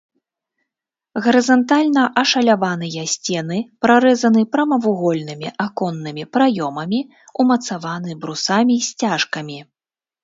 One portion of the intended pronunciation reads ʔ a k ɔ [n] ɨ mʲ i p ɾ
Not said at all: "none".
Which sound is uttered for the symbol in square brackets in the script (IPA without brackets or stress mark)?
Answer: nː